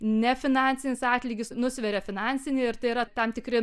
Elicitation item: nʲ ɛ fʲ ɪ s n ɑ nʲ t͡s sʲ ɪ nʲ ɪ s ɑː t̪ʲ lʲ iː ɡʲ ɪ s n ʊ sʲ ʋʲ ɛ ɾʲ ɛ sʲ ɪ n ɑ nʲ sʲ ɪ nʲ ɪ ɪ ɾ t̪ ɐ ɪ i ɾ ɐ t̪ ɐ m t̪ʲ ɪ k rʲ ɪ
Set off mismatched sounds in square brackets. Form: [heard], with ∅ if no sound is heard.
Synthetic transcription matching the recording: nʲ ɛ fʲ ɪ [∅] n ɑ nʲ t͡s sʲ ɪ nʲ ɪ s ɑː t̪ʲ lʲ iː ɡʲ ɪ s n ʊ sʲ ʋʲ ɛ ɾʲ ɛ [fʲ] ɪ n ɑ nʲ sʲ ɪ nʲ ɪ ɪ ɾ t̪ ɐ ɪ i ɾ ɐ t̪ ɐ m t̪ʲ ɪ k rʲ ɪ